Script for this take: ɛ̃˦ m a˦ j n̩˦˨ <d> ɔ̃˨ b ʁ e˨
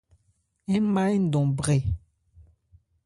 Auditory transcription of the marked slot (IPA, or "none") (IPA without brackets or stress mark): d